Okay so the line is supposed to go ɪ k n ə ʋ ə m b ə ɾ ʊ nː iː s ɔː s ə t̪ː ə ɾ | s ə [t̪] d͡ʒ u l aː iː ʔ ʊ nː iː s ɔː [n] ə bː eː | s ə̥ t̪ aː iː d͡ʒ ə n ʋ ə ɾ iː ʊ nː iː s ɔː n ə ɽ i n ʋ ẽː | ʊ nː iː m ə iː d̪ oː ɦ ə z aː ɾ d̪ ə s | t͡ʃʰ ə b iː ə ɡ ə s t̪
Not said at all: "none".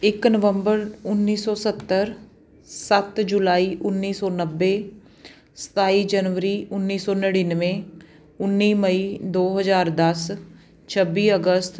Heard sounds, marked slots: t̪, n

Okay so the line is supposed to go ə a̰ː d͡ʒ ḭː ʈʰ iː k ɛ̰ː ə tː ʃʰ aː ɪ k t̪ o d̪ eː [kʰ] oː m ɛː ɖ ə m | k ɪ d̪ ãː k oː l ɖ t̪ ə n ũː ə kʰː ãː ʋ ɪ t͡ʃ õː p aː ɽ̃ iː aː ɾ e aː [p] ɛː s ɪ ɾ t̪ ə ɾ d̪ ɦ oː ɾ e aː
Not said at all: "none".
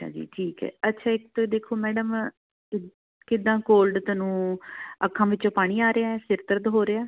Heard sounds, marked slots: kʰ, none

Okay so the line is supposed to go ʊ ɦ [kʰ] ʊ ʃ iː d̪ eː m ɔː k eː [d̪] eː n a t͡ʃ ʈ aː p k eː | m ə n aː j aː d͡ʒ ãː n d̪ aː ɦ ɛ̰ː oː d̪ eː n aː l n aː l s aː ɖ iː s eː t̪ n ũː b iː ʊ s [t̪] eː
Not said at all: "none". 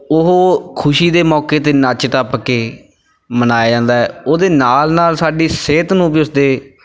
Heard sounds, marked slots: kʰ, t̪, d̪

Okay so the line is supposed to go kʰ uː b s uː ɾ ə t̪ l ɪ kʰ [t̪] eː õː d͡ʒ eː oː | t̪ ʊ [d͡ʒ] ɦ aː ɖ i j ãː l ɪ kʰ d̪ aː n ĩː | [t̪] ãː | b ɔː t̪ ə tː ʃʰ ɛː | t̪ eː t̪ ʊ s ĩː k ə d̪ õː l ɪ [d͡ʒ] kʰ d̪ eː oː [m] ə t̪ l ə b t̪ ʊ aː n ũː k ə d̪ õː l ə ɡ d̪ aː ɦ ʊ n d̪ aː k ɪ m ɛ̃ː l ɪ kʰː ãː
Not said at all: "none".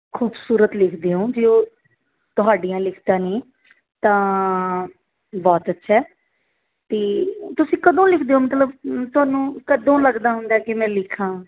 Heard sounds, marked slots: d̪, none, t̪, none, m

